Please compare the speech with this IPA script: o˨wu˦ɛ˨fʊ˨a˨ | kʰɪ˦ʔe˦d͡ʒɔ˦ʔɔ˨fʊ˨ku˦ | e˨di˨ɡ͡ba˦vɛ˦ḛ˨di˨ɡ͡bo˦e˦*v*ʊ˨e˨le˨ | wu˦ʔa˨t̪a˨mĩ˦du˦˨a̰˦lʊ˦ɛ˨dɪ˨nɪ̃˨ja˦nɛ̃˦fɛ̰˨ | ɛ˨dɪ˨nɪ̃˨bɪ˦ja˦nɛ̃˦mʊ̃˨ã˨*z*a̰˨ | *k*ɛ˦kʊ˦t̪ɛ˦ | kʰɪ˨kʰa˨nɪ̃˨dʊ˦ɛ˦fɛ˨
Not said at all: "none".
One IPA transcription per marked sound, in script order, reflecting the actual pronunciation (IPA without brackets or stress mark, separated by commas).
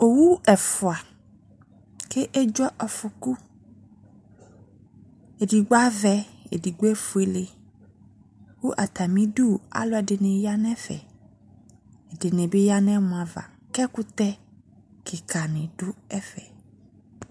f, v, k